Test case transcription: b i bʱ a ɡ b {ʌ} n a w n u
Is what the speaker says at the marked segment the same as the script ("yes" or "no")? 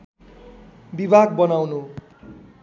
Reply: yes